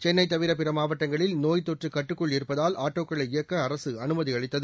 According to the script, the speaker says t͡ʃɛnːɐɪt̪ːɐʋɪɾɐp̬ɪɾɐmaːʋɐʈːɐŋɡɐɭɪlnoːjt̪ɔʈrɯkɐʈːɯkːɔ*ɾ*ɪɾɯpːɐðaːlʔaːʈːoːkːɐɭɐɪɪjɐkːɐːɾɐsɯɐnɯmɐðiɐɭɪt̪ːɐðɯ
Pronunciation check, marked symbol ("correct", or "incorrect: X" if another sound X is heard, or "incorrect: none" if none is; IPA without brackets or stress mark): incorrect: ɭ